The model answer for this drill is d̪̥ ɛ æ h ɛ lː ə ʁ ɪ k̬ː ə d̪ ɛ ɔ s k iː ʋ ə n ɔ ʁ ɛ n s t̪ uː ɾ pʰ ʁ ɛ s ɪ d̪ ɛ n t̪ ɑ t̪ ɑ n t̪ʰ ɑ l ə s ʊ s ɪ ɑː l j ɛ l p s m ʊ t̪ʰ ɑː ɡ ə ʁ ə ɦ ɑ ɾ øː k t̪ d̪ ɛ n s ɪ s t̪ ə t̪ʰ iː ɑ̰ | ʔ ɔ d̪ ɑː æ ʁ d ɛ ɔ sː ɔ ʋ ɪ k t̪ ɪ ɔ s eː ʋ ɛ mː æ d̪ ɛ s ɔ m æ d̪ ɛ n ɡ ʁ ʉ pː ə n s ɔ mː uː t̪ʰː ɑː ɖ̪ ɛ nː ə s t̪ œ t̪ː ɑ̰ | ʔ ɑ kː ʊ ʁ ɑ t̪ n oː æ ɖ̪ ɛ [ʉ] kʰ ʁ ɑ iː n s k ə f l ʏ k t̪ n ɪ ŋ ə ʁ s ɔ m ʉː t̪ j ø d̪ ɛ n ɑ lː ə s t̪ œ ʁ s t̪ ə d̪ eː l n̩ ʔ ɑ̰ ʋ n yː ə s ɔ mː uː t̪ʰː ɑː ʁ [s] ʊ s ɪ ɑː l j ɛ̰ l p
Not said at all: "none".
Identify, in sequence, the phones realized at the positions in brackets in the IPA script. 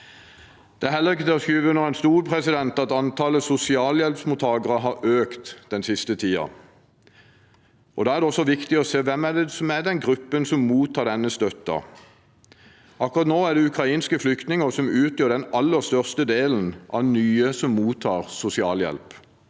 ʉ, s

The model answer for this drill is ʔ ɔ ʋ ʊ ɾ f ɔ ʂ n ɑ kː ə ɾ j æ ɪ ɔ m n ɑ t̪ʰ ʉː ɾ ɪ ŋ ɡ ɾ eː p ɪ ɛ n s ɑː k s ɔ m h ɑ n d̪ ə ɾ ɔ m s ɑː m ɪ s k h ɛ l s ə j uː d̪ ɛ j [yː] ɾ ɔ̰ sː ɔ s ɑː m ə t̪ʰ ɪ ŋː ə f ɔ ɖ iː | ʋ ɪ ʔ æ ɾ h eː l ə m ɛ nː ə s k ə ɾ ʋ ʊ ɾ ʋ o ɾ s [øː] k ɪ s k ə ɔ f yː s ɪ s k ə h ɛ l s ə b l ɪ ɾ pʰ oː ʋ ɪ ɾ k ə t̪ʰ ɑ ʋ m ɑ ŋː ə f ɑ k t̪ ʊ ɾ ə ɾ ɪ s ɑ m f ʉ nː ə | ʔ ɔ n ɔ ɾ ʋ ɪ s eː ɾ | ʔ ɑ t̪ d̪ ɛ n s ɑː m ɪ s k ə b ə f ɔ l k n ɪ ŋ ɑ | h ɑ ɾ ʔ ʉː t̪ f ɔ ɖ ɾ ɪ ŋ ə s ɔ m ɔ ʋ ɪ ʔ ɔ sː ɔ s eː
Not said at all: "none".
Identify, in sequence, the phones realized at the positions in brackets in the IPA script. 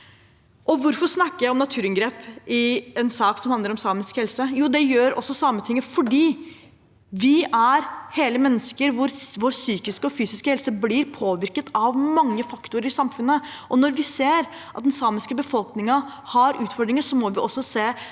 øː, yː

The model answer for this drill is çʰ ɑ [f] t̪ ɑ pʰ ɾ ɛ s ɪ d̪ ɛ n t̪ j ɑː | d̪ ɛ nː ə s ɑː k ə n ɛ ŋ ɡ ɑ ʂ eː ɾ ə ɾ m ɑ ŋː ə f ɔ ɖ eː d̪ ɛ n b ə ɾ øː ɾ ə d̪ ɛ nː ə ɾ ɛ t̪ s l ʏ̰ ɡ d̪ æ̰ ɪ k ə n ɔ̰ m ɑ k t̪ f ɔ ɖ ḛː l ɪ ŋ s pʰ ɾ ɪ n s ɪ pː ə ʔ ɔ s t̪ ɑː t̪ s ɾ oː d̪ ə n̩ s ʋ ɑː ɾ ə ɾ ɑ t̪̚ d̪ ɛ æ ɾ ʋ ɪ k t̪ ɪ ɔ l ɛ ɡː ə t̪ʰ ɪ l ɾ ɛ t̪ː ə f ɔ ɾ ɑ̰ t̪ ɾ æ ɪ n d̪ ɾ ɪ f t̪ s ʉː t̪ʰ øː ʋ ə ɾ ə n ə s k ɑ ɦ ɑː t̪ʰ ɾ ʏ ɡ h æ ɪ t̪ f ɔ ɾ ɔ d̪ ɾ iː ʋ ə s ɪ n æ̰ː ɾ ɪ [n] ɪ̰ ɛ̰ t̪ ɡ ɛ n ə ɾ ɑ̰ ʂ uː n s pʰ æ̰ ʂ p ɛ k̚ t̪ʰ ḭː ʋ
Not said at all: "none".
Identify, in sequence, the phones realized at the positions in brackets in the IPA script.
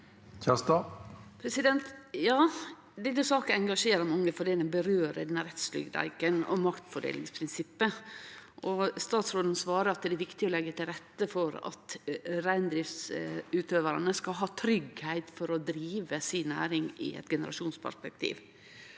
s, ŋ

